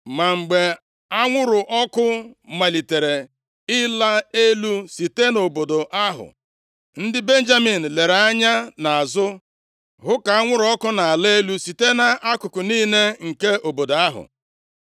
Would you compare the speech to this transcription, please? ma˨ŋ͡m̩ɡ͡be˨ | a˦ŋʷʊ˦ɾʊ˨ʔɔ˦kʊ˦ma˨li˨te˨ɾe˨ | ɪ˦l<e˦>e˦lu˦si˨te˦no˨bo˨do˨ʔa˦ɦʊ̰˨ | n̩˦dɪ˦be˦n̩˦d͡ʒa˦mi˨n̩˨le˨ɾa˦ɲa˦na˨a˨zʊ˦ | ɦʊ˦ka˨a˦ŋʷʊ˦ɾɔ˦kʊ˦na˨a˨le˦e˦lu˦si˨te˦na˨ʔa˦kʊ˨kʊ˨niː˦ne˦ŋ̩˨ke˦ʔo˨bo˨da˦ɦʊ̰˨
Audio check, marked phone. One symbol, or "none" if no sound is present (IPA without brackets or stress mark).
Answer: a˦